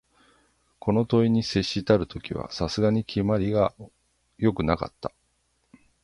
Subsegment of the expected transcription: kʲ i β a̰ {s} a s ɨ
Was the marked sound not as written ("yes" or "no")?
no